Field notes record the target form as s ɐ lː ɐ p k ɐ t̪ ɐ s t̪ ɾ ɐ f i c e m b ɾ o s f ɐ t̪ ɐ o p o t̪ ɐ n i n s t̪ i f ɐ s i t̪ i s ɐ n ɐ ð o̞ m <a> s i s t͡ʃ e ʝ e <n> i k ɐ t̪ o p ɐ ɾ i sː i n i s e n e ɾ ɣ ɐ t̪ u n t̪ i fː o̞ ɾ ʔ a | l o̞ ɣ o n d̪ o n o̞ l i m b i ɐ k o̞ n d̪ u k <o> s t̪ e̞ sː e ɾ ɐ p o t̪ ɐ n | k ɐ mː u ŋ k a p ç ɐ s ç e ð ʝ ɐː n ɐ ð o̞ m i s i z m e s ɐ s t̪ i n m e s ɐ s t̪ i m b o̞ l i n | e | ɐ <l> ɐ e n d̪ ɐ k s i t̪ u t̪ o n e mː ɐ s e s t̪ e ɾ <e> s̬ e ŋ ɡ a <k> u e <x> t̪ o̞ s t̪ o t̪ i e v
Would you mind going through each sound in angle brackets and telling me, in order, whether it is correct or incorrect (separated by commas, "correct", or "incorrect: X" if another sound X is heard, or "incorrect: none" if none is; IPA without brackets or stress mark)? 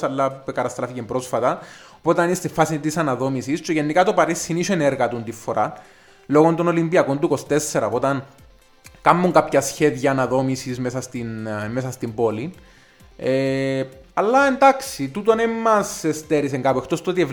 incorrect: i, incorrect: nː, correct, incorrect: lː, incorrect: i, incorrect: p, correct